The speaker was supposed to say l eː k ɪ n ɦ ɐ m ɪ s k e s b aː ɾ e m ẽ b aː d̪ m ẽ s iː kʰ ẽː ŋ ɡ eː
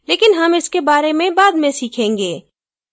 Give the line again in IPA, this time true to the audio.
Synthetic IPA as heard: l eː k ɪ n ɦ ɐ m ɪ s k e b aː ɾ e m ẽ b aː d̪ m ẽ s iː kʰ ẽː ŋ ɡ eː